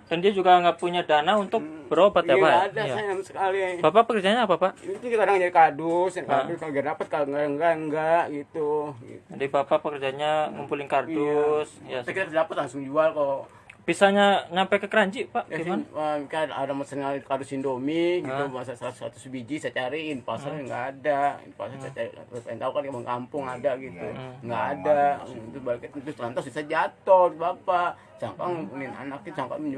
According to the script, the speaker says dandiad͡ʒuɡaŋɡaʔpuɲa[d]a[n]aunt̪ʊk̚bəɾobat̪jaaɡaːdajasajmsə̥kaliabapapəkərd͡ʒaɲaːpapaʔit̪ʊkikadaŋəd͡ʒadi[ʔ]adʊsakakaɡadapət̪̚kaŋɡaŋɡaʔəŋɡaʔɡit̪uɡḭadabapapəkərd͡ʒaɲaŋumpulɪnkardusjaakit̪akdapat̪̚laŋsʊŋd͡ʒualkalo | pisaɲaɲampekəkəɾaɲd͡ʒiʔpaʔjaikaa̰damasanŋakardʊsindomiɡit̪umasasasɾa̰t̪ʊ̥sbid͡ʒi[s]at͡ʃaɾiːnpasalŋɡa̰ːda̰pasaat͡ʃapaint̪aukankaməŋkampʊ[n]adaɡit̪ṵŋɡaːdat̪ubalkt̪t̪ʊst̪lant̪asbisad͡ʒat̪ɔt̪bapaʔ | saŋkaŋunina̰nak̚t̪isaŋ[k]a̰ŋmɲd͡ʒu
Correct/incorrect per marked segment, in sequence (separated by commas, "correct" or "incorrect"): correct, correct, incorrect, correct, incorrect, correct